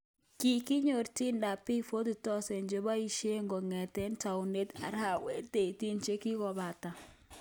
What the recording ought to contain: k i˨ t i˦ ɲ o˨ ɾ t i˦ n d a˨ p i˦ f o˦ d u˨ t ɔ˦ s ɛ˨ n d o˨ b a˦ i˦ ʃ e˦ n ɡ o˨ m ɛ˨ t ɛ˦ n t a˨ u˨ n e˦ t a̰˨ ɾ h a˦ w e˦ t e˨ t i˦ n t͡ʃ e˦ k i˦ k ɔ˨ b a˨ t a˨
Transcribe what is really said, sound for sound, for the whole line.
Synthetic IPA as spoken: k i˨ k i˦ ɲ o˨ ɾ t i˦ n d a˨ p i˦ f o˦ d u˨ t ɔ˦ s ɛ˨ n d͡ʒ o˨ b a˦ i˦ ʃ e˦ ŋ ɡ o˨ ŋ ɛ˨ t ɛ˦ n t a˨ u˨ n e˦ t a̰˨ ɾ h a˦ w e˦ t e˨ t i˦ n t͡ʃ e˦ k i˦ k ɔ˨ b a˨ t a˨